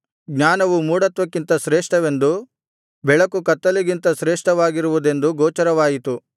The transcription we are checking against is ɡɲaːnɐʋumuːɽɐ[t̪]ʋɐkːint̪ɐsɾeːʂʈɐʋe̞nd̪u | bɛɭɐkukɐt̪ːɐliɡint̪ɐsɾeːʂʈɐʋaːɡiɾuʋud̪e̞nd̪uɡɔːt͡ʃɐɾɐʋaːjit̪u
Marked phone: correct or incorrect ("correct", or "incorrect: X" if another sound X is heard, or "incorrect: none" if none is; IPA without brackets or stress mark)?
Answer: correct